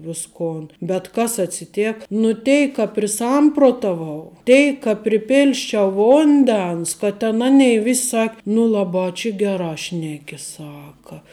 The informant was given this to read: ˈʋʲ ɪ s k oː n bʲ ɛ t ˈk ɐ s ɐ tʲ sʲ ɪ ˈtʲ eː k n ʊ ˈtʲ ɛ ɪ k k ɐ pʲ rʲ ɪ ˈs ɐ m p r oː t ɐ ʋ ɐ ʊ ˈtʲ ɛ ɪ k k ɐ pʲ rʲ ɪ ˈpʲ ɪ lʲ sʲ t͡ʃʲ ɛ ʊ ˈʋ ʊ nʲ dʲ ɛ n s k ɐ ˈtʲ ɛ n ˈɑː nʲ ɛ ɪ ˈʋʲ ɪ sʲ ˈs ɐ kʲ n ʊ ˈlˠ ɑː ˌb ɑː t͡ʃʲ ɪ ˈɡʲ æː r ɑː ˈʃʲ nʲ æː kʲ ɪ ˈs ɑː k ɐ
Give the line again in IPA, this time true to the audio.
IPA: ˈʋʲ ɪ s k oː n bʲ ɛ t ˈk ɐ s ɐ tʲ sʲ ɪ ˈtʲ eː k n ʊ ˈtʲ ɛ ɪ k k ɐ pʲ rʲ ɪ ˈs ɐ m p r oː t ɐ ʋ ɐ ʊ ˈtʲ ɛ ɪ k k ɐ pʲ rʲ ɪ ˈpʲ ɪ lʲ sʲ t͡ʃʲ ɛ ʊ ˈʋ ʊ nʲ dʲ ɛ n s k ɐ ˈtʲ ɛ n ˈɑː nʲ ɛ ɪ ˈʋʲ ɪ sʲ ˈs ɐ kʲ n ʊ ˈlˠ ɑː ˌb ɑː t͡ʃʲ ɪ ˈɡʲ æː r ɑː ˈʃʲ nʲ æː kʲ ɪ ˈs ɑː k ɐ